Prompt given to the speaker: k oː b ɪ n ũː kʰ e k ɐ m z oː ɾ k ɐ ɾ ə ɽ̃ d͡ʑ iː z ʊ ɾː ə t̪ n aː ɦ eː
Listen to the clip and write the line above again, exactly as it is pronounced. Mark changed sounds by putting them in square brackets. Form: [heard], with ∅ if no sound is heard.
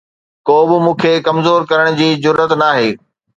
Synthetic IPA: k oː b ɪ [m] ũː kʰ e k ɐ m z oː ɾ k ɐ ɾ ə ɽ̃ d͡ʑ iː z ʊ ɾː ə t̪ n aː ɦ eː